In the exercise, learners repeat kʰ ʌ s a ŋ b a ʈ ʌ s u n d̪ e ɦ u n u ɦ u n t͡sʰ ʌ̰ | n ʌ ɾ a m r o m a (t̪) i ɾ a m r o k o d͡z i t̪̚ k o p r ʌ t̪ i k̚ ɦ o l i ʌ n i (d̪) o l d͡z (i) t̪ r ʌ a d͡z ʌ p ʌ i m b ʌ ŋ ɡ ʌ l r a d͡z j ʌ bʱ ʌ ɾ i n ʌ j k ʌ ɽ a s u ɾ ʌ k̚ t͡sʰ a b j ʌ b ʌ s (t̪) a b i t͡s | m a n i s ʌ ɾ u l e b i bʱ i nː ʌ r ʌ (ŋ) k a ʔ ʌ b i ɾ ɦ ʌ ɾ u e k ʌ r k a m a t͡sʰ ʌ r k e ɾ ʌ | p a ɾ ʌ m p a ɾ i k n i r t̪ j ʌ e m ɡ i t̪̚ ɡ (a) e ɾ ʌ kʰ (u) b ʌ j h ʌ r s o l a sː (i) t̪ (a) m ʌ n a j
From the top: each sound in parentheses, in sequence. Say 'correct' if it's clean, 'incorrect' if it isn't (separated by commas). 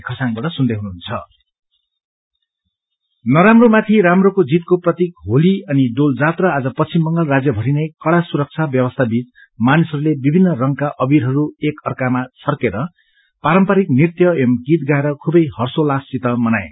incorrect, correct, incorrect, incorrect, correct, correct, correct, correct, incorrect